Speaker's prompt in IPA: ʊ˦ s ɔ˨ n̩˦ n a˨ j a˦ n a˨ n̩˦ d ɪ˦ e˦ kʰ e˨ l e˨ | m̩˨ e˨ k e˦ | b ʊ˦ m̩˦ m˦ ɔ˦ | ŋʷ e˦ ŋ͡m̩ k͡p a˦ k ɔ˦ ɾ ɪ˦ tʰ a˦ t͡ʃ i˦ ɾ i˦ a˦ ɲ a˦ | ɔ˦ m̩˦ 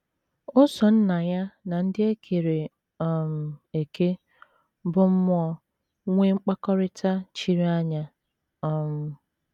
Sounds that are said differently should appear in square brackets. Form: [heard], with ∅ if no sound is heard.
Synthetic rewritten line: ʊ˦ s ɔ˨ n̩˦ n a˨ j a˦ n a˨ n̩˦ d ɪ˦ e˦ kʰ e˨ [ɾ] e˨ | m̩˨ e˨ k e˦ | b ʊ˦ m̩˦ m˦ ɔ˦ | ŋʷ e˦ ŋ͡m̩ k͡p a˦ k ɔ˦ ɾ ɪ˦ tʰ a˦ t͡ʃ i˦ ɾ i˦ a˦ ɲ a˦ | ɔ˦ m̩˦